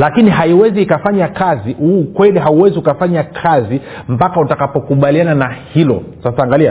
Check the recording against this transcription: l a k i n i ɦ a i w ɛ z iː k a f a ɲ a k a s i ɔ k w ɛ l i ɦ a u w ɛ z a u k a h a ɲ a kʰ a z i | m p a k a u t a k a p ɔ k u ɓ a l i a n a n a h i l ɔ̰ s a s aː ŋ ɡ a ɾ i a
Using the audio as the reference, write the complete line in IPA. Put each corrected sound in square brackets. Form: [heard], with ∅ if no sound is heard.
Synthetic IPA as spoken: l a k i n i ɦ a i w ɛ z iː k a f a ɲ a k a [z] i [u] k w ɛ l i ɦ a u w ɛ z [i] u k a [f] a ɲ a kʰ a z i | m p a k a u t a k a p ɔ k u ɓ a l i a n a n a h i l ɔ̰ s a s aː ŋ ɡ a [l] i a